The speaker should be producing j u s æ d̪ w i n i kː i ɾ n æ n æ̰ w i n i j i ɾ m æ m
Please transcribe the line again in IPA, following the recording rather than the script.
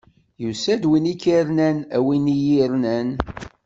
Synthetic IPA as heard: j u s æ d̪ w i n i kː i ɾ n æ n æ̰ w i n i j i ɾ n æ n